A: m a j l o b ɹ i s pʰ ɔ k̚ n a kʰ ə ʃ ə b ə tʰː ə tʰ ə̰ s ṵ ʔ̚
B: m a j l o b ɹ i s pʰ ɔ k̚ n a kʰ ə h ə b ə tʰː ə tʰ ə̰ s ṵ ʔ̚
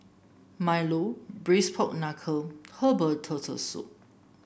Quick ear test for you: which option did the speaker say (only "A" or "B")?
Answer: B